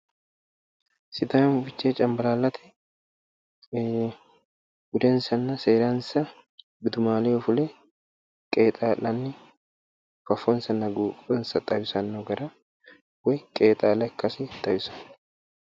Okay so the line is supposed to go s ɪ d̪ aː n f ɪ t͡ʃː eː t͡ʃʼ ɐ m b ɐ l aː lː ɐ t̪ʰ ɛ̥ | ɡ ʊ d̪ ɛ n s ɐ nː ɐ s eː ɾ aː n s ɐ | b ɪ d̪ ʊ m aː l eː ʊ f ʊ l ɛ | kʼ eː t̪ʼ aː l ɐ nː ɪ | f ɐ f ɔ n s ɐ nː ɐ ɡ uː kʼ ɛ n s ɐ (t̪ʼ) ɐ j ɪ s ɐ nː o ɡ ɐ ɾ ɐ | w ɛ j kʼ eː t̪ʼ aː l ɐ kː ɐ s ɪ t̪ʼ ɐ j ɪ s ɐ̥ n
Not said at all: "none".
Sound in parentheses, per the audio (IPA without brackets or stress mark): t̪ʼ